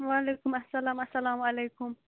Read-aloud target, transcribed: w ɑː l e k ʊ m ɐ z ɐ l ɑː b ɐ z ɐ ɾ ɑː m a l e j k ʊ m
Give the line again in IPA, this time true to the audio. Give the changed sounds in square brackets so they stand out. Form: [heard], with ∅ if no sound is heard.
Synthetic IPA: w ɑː l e k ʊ m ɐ [s] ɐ l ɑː [m] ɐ [s] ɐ [l] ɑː m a l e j k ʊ m